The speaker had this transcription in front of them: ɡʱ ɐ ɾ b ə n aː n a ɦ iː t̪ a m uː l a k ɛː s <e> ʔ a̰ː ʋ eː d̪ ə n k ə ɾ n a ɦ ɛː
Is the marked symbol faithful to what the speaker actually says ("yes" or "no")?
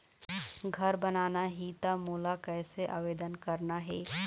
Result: yes